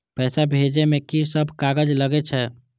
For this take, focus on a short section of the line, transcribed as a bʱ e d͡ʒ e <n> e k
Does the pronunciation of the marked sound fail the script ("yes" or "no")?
yes